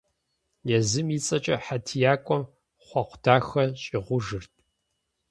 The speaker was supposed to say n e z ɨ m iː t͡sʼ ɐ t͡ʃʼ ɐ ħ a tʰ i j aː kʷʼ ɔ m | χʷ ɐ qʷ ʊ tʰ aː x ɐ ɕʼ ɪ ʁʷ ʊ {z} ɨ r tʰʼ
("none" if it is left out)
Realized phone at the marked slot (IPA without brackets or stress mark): ʒ